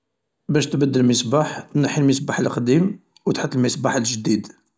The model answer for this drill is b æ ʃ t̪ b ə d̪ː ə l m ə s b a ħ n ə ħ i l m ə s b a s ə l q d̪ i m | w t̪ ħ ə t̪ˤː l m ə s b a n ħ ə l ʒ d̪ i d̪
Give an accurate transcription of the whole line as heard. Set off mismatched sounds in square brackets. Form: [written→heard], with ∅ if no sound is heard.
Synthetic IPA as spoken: b æ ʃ t̪ b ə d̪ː ə l m ə s b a ħ n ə ħ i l m ə s b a [s→ħ] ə l q d̪ i m | w t̪ ħ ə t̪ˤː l m ə s b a [n→∅] ħ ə l ʒ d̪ i d̪